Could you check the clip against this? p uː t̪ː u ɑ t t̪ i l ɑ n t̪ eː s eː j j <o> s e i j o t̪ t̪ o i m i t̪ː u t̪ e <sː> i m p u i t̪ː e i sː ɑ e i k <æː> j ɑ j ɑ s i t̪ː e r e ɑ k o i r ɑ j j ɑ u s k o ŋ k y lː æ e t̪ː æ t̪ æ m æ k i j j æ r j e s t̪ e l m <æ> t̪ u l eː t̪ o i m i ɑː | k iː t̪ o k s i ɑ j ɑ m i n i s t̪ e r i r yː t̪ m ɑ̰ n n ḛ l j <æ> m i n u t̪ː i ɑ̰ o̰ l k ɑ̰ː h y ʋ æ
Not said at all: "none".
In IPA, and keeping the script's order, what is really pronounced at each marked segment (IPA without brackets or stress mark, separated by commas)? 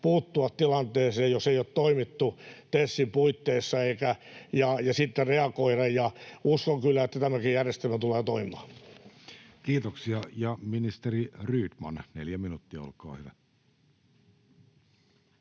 o, sː, æ, æ, æ